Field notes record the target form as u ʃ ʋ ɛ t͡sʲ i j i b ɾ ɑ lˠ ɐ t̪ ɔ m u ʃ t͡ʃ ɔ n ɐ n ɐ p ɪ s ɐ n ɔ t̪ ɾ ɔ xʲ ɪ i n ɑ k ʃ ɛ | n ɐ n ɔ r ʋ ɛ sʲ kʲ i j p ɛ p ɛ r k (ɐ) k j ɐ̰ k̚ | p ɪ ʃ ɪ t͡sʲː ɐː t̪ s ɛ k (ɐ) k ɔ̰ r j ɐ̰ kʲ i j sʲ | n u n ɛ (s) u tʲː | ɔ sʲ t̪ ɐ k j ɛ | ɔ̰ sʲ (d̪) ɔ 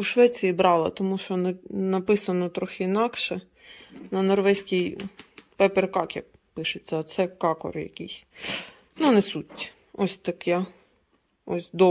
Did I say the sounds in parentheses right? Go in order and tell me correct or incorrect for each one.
incorrect: ɑ, incorrect: ɑ, correct, correct

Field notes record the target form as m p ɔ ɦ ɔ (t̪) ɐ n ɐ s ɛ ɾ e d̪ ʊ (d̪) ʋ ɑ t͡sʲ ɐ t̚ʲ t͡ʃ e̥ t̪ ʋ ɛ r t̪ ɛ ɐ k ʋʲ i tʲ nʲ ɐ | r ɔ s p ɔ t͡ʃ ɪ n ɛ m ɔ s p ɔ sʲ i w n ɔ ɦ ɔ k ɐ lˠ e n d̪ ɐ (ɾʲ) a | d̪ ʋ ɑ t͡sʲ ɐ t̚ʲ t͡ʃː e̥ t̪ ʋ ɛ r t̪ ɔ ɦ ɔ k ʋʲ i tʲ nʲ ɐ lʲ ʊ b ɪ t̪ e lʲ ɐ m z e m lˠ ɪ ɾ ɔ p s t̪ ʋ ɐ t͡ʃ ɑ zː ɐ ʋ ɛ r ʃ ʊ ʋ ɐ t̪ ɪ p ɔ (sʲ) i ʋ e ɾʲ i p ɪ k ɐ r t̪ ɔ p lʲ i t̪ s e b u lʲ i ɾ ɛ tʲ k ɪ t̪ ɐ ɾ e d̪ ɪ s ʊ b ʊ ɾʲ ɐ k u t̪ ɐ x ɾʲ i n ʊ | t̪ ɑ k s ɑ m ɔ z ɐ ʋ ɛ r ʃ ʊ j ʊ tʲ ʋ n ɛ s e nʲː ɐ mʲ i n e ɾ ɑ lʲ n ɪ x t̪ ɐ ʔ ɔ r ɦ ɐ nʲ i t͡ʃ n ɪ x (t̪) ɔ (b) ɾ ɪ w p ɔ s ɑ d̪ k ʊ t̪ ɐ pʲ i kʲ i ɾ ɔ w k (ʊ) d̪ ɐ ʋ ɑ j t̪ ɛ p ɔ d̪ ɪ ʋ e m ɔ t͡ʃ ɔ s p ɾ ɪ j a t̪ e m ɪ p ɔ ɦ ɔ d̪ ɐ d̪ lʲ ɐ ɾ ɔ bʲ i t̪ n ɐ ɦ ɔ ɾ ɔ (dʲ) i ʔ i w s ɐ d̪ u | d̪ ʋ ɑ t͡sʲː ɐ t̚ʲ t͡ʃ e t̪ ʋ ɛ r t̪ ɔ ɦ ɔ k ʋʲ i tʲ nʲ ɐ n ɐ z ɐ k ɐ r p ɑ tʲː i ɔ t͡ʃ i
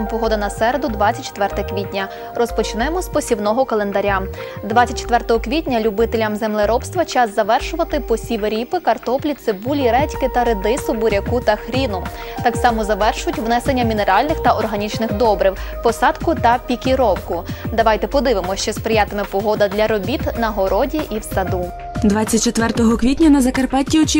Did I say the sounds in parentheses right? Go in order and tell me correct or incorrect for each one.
incorrect: d̪, correct, correct, correct, incorrect: d̪, correct, correct, correct

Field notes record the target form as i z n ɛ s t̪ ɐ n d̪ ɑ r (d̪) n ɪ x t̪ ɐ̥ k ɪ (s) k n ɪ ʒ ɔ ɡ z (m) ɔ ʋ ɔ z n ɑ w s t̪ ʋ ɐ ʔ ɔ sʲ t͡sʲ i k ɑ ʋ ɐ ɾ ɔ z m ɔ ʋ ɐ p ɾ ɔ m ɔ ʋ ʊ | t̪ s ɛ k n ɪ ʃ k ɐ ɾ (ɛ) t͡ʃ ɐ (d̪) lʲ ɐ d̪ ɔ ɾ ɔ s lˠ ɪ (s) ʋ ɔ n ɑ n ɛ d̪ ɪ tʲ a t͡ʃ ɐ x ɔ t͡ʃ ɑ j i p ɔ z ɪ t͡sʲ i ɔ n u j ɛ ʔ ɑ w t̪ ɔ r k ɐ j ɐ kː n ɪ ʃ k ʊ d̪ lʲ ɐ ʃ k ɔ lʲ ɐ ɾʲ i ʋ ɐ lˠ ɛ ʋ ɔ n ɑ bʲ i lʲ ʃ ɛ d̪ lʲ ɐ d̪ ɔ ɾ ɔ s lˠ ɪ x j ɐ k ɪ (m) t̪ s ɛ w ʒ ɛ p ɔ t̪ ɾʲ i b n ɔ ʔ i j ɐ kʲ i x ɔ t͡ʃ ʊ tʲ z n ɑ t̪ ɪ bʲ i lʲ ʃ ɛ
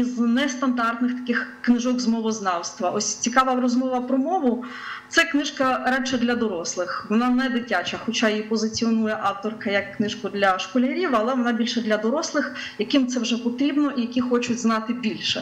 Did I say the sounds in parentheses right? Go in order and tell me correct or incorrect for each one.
incorrect: t̪, incorrect: x, correct, correct, correct, incorrect: x, correct

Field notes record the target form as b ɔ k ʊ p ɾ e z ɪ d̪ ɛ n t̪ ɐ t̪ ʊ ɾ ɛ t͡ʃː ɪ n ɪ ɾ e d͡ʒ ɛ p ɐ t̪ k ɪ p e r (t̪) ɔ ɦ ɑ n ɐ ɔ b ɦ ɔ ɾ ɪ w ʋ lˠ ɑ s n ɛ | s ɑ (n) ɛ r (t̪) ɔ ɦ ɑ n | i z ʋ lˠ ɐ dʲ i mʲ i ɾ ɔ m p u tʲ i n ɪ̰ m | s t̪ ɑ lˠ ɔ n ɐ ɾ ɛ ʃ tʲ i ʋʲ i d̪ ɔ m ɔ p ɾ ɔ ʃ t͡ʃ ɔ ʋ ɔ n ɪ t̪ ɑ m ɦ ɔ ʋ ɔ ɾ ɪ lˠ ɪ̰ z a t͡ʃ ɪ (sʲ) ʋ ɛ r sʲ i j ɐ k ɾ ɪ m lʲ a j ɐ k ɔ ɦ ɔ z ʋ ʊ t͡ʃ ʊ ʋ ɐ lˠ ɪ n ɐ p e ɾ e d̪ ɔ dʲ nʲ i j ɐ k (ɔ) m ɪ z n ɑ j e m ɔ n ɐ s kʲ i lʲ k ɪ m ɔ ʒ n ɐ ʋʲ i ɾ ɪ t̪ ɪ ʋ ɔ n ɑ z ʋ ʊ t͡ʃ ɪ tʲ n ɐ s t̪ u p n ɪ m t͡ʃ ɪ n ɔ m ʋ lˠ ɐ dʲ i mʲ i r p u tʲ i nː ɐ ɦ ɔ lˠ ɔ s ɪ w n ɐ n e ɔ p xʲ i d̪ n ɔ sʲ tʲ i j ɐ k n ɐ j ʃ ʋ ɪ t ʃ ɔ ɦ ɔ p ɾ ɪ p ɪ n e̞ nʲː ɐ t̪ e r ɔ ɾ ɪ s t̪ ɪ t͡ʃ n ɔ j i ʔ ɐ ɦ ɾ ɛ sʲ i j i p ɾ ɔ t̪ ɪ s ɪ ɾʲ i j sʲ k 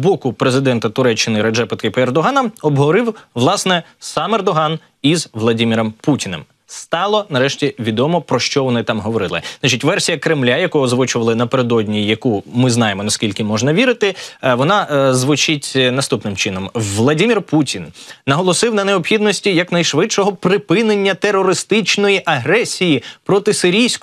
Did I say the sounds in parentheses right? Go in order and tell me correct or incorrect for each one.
incorrect: d̪, incorrect: m, incorrect: d̪, incorrect: tʲ, incorrect: u

